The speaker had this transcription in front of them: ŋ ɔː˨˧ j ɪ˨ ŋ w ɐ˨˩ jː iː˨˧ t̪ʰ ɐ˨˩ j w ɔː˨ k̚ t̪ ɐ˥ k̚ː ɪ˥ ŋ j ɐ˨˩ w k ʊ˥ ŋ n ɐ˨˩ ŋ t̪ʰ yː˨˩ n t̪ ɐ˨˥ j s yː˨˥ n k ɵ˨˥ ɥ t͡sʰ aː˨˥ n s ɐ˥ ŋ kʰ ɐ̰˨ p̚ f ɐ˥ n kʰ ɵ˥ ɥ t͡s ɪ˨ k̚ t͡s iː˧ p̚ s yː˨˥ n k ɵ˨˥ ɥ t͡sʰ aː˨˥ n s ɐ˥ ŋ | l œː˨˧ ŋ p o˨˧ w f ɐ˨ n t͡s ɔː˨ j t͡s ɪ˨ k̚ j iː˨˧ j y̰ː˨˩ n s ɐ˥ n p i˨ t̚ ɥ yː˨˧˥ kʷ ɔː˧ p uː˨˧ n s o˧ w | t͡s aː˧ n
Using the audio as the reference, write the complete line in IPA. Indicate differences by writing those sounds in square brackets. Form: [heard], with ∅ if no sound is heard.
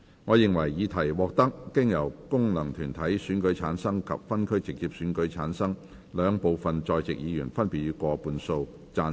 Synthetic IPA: ŋ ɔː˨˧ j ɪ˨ ŋ w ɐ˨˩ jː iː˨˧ t̪ʰ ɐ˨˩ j w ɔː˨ k̚ t̪ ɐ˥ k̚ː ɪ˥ ŋ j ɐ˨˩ w k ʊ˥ ŋ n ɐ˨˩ ŋ t̪ʰ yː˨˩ n [t̪ʰ] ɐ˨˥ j s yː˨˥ n k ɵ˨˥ ɥ t͡sʰ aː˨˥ n s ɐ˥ ŋ kʰ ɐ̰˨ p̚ f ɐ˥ n kʰ ɵ˥ ɥ t͡s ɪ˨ k̚ t͡s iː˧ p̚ s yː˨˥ n k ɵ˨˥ ɥ t͡sʰ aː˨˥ n s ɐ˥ ŋ | l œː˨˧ ŋ p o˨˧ w f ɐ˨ n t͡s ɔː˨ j t͡s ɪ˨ k̚ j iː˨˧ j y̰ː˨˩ n [f] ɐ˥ n p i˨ t̚ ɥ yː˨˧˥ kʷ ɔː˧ p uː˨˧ n s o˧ w | t͡s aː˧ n